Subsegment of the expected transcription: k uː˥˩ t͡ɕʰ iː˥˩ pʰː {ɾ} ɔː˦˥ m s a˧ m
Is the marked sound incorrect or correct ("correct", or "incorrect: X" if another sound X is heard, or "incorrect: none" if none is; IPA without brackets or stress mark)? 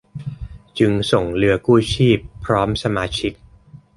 correct